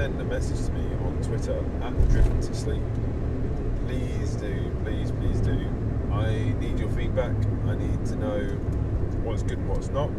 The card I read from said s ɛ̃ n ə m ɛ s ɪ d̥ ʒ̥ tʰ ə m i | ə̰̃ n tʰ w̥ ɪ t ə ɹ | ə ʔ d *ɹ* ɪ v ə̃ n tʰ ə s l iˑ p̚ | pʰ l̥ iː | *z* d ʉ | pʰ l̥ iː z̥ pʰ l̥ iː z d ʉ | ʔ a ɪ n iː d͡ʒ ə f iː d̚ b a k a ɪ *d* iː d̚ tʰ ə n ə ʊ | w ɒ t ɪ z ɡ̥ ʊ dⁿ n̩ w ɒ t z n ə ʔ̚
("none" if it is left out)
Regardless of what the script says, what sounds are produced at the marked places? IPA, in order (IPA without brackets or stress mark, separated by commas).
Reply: ɹ, z, n